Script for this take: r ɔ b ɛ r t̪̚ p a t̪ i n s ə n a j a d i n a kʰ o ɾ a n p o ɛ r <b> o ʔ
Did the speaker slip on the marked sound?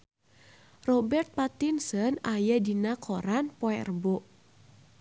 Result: no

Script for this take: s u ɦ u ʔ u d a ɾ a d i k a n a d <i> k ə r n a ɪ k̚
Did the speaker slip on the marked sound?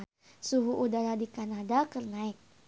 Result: yes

